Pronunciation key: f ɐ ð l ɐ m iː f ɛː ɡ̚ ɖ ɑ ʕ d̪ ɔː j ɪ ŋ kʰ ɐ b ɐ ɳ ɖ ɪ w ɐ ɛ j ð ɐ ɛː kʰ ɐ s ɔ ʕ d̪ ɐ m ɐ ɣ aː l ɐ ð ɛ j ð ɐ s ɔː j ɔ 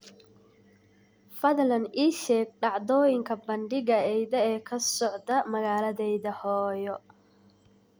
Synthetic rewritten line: f ɐ ð l ɐ n iː ʃ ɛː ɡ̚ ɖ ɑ ʕ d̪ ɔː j ɪ ŋ kʰ ɐ b ɐ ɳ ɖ ɪ ɣ ɐ ɛ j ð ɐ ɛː kʰ ɐ s ɔ ʕ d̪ ɐ m ɐ ɣ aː l ɐ ð ɛ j ð ɐ h ɔː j ɔ